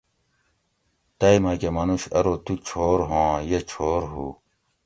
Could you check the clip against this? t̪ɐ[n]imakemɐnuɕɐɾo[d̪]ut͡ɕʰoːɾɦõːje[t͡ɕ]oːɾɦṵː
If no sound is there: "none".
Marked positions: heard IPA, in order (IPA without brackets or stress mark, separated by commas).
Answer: none, t̪, t͡ɕʰ